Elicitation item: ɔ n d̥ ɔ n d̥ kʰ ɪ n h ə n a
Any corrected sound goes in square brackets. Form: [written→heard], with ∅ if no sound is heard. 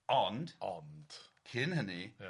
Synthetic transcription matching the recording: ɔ n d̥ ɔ n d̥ kʰ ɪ n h ə n [a→i]